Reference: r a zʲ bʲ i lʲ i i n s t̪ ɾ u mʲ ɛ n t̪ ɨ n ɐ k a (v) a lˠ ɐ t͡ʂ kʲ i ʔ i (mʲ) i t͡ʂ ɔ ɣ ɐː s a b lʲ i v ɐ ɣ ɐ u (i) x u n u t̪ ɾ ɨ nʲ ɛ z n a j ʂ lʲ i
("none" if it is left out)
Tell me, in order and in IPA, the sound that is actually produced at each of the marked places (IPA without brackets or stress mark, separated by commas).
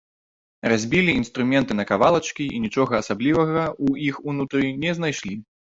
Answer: v, nʲ, i